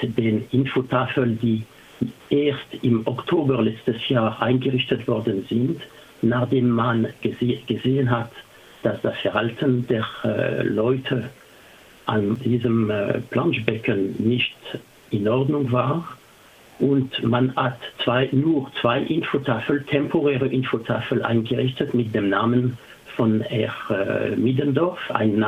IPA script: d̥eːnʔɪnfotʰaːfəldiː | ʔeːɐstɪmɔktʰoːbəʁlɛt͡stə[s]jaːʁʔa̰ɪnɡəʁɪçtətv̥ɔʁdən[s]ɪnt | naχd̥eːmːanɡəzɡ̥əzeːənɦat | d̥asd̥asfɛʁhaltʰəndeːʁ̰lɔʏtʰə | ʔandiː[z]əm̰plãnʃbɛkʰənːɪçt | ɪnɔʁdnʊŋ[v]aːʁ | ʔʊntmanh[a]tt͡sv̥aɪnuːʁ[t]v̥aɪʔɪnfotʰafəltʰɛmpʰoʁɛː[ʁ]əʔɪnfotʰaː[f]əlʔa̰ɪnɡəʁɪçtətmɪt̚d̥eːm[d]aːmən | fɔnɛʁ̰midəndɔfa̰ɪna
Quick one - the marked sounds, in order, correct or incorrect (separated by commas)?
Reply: correct, incorrect, correct, correct, correct, incorrect, correct, correct, incorrect